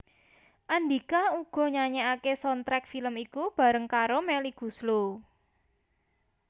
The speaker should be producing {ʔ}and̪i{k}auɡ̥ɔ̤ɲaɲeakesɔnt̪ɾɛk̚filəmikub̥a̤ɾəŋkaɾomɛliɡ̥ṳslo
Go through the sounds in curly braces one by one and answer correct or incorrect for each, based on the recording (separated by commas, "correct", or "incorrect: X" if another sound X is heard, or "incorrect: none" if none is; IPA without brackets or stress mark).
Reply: correct, correct